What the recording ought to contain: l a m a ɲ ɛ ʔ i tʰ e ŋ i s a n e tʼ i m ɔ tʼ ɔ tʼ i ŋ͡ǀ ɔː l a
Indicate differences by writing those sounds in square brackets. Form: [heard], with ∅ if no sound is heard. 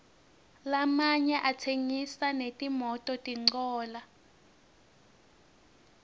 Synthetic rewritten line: l a m a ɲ ɛ ʔ [a] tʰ e ŋ i s a n e tʼ i m ɔ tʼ ɔ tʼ i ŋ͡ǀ ɔː l a